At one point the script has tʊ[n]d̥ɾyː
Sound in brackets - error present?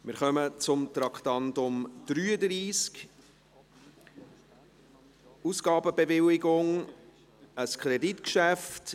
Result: yes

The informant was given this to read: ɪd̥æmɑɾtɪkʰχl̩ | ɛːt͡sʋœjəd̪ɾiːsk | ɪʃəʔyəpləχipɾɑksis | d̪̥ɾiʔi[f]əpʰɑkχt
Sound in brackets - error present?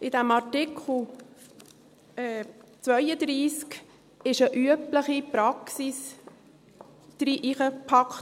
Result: yes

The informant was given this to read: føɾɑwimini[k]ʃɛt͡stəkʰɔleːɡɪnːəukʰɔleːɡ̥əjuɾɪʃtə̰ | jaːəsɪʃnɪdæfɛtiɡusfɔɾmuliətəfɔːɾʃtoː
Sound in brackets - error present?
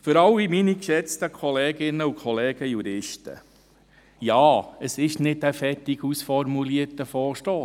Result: no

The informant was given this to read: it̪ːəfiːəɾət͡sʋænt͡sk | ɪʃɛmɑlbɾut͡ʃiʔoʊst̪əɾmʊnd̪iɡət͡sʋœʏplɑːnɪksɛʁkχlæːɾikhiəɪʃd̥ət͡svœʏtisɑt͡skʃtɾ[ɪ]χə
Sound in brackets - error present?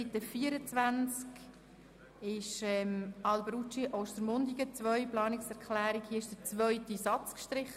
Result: no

